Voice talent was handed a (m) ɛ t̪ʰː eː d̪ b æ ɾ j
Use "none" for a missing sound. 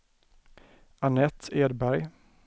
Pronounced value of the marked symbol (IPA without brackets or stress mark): n